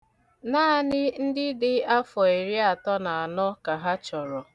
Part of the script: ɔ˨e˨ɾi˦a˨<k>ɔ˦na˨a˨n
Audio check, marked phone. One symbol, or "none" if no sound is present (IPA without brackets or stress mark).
t